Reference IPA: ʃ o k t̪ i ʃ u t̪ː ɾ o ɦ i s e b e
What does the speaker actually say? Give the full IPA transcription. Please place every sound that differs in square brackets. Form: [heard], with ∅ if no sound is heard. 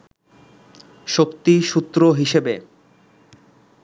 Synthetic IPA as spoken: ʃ o k t̪ i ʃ u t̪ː ɾ o ɦ i [ʃ] e b e